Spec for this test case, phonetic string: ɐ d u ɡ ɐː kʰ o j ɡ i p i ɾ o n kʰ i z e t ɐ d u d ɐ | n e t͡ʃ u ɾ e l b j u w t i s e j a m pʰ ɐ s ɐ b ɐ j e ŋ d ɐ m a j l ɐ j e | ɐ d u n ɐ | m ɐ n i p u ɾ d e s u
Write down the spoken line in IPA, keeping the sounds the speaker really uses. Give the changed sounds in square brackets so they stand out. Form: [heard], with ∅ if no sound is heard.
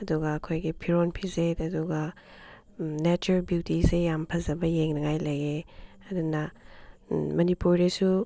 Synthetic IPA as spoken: ɐ d u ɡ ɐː kʰ o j ɡ i [pʰ] i ɾ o n [pʰ] i z e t ɐ d u [ɡ] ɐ | n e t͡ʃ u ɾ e l b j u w t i s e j a m pʰ ɐ [z] ɐ b ɐ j e ŋ [n] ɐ [ŋ] a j l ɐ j e | ɐ d u n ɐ | m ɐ n i p u ɾ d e s u